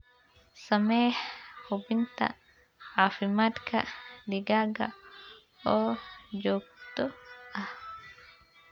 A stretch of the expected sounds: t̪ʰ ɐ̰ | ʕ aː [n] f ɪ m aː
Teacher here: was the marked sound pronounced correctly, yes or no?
no